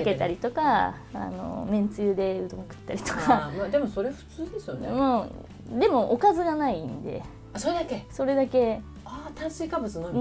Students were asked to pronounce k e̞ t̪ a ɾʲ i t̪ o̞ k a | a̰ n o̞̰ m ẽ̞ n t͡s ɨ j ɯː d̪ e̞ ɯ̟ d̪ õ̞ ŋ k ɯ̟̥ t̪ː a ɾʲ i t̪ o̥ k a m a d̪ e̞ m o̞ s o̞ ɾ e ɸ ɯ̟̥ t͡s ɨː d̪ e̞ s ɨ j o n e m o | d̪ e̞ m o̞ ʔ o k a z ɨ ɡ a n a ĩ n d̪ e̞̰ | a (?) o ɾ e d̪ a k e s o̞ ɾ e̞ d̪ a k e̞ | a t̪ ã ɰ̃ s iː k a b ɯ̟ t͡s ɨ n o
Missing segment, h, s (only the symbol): s